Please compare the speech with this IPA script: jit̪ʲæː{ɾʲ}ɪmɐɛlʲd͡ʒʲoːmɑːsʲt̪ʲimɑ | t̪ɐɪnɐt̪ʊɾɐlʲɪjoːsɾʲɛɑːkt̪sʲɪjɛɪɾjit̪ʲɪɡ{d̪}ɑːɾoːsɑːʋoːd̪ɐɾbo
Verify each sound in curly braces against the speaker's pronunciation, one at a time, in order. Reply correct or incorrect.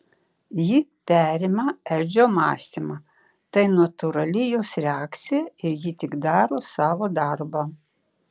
correct, correct

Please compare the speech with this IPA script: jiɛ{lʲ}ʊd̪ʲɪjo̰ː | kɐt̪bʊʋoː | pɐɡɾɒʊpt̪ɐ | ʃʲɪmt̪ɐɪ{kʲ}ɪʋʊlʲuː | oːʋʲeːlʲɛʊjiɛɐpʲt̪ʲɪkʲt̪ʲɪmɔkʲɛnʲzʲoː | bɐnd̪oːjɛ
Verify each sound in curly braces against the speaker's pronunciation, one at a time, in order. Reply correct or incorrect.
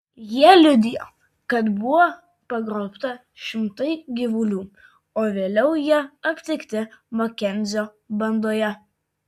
correct, incorrect

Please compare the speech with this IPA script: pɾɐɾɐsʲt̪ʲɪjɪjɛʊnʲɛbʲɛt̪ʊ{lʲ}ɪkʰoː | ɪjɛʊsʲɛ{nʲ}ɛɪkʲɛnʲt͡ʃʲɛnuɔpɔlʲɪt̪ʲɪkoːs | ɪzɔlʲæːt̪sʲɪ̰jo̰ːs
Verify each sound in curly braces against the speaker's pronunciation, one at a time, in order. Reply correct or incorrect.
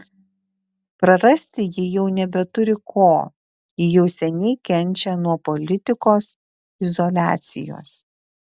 incorrect, correct

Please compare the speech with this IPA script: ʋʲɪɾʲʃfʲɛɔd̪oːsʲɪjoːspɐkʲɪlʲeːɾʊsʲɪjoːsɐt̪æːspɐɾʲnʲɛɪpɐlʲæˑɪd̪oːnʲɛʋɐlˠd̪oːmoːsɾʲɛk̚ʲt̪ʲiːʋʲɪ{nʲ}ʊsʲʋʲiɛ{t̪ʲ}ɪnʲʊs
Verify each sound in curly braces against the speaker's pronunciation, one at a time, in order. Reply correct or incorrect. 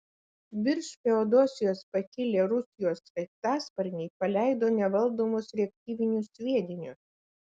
correct, incorrect

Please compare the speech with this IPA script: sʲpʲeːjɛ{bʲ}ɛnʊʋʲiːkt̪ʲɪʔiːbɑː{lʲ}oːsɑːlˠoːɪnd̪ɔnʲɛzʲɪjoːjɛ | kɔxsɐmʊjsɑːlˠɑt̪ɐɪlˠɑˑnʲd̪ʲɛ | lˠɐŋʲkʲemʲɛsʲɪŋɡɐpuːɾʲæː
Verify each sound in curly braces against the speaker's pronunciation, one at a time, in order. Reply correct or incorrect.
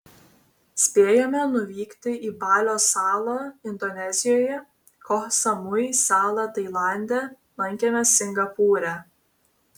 incorrect, correct

